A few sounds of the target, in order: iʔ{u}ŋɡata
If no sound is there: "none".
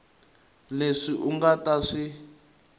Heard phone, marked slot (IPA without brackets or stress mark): u